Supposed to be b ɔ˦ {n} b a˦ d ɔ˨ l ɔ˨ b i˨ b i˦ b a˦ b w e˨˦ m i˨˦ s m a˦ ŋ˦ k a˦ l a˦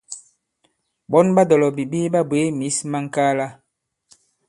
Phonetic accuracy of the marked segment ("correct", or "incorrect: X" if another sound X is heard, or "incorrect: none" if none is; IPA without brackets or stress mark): correct